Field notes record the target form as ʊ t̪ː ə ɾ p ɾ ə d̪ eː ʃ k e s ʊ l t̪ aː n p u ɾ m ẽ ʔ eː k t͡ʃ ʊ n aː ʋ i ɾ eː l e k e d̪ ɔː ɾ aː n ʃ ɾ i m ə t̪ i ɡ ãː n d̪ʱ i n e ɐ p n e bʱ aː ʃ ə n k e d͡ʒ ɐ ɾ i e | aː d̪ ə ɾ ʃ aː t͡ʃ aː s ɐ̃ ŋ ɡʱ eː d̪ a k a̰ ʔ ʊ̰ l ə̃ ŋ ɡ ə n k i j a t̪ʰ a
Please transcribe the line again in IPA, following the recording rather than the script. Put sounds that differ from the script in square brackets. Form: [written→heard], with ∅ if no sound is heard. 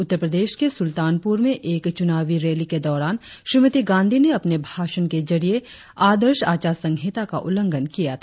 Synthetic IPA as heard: ʊ t̪ː ə ɾ p ɾ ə d̪ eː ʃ k e s ʊ l t̪ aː n p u ɾ m ẽ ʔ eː k t͡ʃ ʊ n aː ʋ i ɾ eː l [e→i] k e d̪ ɔː ɾ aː n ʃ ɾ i m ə t̪ i ɡ ãː n d̪ʱ i n e ɐ p n e bʱ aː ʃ ə n k e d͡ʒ ɐ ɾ i e | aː d̪ ə ɾ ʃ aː t͡ʃ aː s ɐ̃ ŋ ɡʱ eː [d̪→t̪] a k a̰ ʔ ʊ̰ l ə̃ ŋ ɡ ə n k i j a t̪ʰ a